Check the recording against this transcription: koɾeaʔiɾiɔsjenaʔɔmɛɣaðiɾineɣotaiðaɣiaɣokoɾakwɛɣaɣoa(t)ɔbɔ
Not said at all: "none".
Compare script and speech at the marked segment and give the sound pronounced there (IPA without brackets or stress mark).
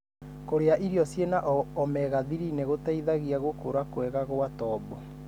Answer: t